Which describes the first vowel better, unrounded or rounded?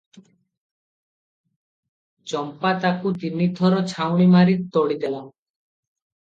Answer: rounded